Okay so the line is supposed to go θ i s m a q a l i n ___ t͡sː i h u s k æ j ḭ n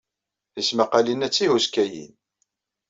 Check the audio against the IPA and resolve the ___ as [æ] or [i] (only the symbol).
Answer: æ